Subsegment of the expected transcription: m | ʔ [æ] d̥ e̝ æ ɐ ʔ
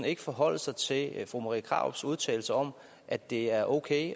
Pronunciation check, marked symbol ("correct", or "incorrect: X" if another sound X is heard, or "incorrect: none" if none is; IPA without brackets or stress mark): correct